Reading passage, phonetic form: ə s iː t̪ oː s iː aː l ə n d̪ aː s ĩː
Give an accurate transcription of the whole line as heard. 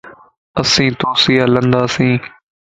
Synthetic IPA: ə s ĩː t̪ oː s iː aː l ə n d̪ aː s ĩː

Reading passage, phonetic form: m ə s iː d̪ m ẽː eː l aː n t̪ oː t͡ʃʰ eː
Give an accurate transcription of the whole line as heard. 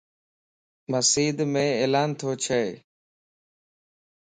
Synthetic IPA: m ə s iː d̪ m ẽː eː l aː n t̪ʰ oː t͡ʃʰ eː

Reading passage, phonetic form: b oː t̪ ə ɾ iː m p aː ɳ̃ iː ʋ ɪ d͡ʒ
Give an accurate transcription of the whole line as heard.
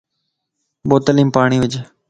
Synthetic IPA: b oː t̪ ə l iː m p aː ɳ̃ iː ʋ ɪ d͡ʒ

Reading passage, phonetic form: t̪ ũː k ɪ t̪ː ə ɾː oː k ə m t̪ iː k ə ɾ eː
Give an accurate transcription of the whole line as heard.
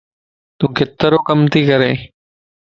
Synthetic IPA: t̪ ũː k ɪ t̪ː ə ɾ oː k ə m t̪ iː k ə ɾ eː

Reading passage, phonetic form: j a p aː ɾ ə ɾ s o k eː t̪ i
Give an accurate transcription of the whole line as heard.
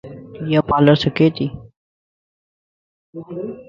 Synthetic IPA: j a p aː l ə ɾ s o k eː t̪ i

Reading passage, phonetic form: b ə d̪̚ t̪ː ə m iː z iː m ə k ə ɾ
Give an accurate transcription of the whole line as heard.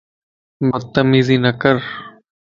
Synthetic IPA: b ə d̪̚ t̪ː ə m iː z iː n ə k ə ɾ

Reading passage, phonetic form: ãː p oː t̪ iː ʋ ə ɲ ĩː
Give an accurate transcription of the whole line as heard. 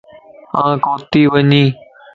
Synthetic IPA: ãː k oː t̪ iː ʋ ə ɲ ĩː

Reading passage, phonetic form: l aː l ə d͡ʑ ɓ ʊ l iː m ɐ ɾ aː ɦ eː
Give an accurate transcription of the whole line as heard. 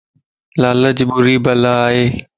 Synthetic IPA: l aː l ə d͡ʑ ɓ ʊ ɾ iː b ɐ l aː ɦ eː

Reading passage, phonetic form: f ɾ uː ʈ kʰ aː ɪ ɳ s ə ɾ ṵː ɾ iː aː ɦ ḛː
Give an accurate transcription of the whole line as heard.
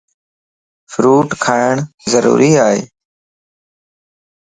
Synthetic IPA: f ɾ uː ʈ kʰ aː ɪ ɳ z ə ɾ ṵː ɾ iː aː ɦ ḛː

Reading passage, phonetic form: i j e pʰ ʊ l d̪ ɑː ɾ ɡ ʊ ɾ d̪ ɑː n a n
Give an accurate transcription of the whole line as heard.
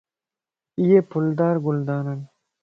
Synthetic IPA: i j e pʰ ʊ l d̪ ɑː ɾ ɡ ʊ l d̪ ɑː n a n

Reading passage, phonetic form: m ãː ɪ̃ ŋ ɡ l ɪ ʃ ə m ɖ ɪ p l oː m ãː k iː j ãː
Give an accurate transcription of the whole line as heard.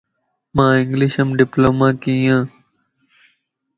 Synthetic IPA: m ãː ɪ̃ ŋ ɡ l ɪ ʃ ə m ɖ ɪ p l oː m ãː k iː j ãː

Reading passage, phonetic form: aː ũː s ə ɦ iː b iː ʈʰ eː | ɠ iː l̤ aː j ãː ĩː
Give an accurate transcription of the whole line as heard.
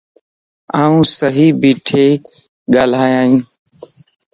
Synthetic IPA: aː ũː s ə ɦ iː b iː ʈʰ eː | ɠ aː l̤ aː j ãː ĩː

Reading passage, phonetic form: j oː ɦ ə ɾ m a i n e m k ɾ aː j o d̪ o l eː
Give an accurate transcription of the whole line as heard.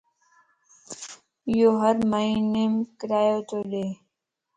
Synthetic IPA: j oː ɦ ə ɾ m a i n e m k ɾ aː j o t̪ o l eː

